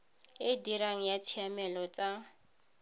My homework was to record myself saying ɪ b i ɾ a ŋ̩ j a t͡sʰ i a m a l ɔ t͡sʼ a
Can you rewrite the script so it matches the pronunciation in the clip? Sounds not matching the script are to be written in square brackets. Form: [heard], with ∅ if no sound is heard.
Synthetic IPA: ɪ [d] i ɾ a ŋ̩ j a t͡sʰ i a m [ɛ] l ɔ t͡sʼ a